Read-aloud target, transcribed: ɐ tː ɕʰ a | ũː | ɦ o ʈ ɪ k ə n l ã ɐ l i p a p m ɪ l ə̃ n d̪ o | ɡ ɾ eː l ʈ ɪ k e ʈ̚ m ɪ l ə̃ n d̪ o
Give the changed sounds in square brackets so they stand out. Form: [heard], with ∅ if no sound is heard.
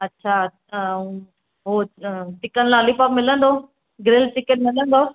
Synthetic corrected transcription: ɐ tː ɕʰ a | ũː | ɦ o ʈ ɪ k ə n l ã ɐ l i p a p m ɪ l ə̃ n d̪ o | ɡ ɾ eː l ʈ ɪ k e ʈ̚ m ɪ l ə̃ n d̪ o